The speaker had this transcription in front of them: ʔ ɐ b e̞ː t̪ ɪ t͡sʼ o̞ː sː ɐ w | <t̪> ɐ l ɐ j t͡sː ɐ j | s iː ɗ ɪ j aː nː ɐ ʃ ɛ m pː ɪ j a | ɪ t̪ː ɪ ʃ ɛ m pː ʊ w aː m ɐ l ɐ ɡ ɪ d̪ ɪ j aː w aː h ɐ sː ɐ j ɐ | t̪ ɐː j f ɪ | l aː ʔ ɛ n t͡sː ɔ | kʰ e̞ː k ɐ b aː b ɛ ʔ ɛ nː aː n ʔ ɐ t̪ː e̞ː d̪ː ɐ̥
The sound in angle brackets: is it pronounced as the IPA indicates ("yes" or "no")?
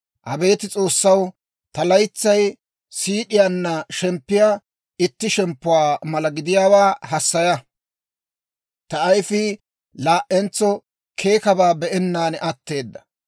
yes